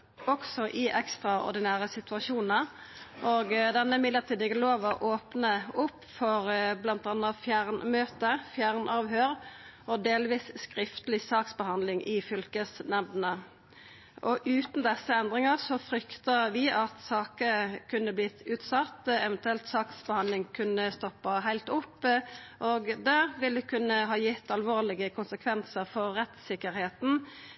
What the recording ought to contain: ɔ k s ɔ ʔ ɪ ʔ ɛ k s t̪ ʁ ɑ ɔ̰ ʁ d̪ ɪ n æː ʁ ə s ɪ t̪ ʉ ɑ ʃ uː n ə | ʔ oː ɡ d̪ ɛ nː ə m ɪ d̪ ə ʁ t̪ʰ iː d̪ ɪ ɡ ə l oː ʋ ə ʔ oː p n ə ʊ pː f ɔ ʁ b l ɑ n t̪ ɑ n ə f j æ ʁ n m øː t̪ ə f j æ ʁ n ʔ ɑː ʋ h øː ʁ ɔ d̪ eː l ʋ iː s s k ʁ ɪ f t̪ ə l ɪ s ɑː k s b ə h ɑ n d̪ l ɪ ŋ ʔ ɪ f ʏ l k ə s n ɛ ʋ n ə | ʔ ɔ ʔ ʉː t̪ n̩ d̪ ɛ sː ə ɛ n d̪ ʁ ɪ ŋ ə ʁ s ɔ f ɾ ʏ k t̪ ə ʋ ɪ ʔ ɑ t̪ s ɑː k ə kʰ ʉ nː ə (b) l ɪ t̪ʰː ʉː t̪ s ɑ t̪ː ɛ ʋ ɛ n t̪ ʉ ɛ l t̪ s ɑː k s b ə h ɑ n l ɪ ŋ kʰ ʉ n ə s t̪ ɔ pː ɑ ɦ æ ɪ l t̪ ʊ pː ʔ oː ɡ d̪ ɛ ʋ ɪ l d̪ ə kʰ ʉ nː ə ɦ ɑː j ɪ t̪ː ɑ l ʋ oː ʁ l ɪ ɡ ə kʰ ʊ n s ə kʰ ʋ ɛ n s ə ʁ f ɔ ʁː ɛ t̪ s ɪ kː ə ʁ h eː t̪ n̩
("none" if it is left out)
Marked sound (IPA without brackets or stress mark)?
b